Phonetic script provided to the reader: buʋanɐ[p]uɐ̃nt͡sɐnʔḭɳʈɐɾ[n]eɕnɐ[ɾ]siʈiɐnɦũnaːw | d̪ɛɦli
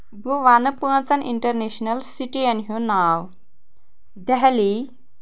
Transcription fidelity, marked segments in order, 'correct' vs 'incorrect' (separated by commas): correct, correct, incorrect